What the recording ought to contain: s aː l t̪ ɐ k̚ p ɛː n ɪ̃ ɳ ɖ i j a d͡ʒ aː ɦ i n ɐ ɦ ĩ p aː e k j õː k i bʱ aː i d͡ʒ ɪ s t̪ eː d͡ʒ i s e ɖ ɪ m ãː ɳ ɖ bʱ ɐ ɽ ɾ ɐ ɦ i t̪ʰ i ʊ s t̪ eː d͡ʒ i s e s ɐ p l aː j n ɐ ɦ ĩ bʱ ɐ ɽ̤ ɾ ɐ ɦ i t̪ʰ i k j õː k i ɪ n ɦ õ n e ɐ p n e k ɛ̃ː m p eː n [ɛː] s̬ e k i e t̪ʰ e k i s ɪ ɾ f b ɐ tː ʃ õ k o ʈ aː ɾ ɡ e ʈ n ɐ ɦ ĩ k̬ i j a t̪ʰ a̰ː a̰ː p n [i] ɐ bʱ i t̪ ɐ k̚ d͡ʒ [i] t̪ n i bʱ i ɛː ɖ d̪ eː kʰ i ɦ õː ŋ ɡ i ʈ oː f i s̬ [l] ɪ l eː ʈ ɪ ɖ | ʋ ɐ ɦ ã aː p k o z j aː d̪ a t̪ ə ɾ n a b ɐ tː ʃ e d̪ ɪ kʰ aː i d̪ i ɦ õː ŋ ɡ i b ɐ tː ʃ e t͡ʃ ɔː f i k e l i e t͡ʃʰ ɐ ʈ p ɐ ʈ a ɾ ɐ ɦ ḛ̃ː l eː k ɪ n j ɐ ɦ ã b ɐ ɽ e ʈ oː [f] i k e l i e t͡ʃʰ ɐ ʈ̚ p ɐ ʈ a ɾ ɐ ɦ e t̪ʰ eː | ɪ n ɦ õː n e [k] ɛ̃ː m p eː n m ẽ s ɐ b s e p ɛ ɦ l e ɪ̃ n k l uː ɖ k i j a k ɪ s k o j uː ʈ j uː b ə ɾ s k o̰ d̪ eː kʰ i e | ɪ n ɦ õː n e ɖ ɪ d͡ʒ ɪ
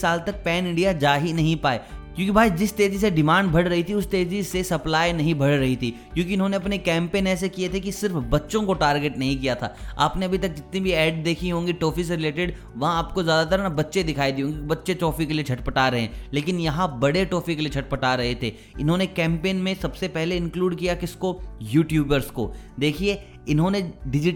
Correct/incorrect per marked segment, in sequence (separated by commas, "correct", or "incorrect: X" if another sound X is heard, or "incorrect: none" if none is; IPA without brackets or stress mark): correct, incorrect: e, incorrect: ɪ, incorrect: ɾ, correct, correct